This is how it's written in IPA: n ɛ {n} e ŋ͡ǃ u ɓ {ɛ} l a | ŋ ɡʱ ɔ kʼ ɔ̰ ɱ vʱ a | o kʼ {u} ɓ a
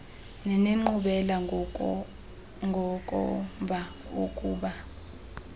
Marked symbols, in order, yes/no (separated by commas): yes, yes, no